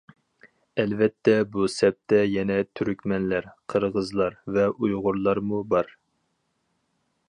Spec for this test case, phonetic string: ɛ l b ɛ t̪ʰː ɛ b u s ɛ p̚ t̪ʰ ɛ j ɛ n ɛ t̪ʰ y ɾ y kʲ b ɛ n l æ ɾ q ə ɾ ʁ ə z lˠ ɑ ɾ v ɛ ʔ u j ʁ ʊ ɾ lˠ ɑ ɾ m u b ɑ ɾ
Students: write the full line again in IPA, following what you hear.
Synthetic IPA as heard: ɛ l v ɛ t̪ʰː ɛ b u s ɛ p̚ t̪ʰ ɛ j ɛ n ɛ t̪ʰ y ɾ y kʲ m ɛ n l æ ɾ qʰ ə ɾ ʁ ə z lˠ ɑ ɾ v ɛ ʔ u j ʁ ʊ ɾ lˠ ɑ ɾ m u b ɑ ɾ

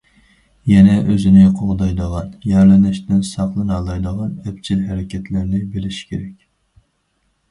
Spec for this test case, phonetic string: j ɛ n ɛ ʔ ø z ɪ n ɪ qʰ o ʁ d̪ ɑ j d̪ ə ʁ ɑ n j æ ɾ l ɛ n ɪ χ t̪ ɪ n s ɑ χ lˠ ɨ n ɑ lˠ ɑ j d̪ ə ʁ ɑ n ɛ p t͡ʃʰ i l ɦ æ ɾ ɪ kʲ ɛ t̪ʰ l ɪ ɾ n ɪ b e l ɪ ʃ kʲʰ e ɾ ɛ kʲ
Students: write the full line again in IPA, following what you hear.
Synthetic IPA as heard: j ɛ n ɛ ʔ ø z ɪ n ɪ qʰ o ʁ d̪ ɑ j d̪ ə ʁ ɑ n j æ ɾ l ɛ n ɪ ʃ t̪ ɪ n s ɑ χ lˠ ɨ n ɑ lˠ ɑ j d̪ ə ʁ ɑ n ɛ p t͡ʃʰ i l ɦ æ ɾ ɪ kʲ ɛ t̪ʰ l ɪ ɾ n ɪ b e l ɪ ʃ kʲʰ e ɾ ɛ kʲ

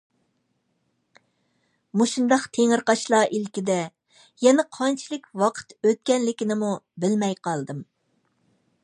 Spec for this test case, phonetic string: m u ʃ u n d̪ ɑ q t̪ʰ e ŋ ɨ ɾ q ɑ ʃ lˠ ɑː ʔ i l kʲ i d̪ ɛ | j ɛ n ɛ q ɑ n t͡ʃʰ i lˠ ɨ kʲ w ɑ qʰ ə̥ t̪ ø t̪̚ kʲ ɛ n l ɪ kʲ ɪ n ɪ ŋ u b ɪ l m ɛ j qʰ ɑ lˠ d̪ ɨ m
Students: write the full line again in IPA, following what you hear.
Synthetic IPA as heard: m u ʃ u n d̪ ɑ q t̪ʰ e ŋ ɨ ɾ q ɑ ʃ lˠ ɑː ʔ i l kʲ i d̪ ɛ | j ɛ n ɛ qʰ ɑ n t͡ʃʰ i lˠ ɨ kʲ w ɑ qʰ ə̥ t̪ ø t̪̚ kʲ ɛ n l ɪ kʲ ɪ n ɪ m u b ɪ l m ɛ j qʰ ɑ lˠ d̪ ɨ m

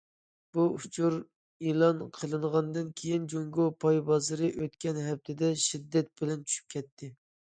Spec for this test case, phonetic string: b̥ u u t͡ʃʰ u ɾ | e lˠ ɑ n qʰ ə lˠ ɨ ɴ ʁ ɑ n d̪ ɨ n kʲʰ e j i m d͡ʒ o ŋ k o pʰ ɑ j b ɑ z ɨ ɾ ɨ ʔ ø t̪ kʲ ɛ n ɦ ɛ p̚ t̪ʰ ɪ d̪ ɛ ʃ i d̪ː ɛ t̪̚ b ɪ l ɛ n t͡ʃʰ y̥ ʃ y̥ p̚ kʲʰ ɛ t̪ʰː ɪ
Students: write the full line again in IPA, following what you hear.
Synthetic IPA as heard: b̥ u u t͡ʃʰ u ɾ | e lˠ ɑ n qʰ ə lˠ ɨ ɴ ʁ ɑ n d̪ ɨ n kʲʰ e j i n d͡ʒ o ŋ ɡ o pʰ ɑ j b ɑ z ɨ ɾ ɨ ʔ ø t̪ kʲ ɛ n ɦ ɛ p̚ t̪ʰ ɪ d̪ ɛ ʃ i d̪ː ɛ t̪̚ b ɪ l ɛ n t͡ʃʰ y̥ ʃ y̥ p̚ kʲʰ ɛ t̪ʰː ɪ

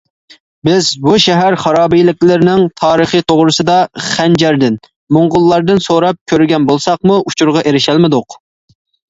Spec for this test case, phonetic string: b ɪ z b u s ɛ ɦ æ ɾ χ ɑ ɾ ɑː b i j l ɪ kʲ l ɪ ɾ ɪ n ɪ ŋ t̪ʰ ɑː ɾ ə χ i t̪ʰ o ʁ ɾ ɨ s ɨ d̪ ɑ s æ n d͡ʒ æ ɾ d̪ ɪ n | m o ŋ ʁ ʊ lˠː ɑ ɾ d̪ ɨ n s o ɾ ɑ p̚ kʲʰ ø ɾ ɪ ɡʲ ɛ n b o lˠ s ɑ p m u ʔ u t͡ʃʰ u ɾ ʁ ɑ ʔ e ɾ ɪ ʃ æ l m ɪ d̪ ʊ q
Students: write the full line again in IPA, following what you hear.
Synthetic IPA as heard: b ɪ z b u ʃ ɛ ɦ æ ɾ χ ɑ ɾ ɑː b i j l ɪ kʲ l ɪ ɾ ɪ n ɪ ŋ t̪ʰ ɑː ɾ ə χ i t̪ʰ o ʁ ɾ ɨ s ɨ d̪ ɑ χ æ n d͡ʒ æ ɾ d̪ ɪ n | m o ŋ ʁ ʊ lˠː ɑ ɾ d̪ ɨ n s o ɾ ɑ p̚ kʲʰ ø ɾ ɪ ɡʲ ɛ n b o lˠ s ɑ q m u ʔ u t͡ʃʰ u ɾ ʁ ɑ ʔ e ɾ ɪ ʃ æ l m ɪ d̪ ʊ q

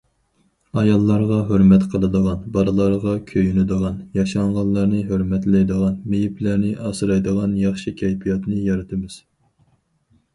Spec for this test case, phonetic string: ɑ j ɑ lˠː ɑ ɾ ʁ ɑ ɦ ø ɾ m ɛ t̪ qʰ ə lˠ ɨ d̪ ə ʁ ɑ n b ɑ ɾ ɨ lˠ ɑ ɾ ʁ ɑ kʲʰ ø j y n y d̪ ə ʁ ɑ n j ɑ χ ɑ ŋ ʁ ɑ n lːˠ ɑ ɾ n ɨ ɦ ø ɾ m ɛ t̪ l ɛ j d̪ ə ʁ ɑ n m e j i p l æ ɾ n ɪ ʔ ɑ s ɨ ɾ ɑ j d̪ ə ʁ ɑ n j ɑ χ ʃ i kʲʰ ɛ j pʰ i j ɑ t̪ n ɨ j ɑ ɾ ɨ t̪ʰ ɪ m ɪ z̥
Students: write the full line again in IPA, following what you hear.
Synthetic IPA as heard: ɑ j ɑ lˠː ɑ ɾ ʁ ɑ ɦ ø ɾ m ɛ t̪ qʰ ə lˠ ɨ d̪ ə ʁ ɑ n b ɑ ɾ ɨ lˠ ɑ ɾ ʁ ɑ kʲʰ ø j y n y d̪ ə ʁ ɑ n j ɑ ʃ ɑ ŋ ʁ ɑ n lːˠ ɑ ɾ n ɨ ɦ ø ɾ m ɛ t̪ l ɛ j d̪ ə ʁ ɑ n m e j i p l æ ɾ n ɪ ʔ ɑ s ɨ ɾ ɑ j d̪ ə ʁ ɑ n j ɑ χ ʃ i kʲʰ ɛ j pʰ i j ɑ t̪ n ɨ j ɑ ɾ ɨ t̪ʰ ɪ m ɪ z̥

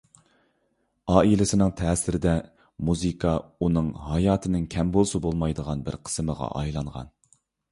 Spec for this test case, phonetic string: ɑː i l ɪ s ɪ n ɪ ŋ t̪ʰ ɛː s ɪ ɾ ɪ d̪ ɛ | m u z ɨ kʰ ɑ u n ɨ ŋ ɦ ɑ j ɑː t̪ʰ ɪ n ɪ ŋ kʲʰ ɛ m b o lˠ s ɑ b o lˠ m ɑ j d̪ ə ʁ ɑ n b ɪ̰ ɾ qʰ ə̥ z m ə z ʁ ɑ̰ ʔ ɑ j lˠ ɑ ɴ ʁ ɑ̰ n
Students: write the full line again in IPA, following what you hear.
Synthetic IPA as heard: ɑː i l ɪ s ɪ n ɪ ŋ t̪ʰ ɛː s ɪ ɾ ɪ d̪ ɛ | m u z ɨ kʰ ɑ u n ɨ ŋ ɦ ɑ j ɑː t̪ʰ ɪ n ɪ ŋ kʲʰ ɛ m b o lˠ s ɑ b o lˠ m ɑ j d̪ ə ʁ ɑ n b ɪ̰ ɾ qʰ ə̥ s m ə ʁ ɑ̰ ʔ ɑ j lˠ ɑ ɴ ʁ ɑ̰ n

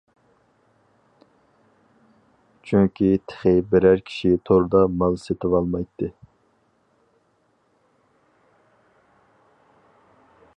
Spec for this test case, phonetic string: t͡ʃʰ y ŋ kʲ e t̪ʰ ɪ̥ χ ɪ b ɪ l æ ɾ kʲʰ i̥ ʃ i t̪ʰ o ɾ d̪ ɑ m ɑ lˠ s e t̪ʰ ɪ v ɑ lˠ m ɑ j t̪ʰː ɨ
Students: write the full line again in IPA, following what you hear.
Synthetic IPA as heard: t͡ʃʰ y ŋ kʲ i t̪ʰ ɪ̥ χ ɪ b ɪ ɾ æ ɾ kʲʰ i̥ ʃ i t̪ʰ o ɾ d̪ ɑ m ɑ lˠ s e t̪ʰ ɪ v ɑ lˠ m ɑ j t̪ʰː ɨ

